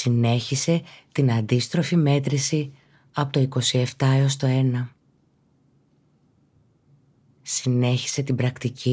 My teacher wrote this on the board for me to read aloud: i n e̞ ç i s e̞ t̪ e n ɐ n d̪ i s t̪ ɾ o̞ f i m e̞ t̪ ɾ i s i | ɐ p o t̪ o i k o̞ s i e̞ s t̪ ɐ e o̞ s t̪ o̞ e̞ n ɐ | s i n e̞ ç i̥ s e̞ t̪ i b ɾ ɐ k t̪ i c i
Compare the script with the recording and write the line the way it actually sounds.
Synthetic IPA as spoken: i n e̞ ç i s e̞ t̪ i n ɐ n d̪ i s t̪ ɾ o̞ f i m e̞ t̪ ɾ i s i | ɐ p o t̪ o i k o̞ s i e̞ f t̪ ɐ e o̞ s t̪ o̞ e̞ n ɐ | s i n e̞ ç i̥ s e̞ t̪ i b ɾ ɐ k t̪ i c i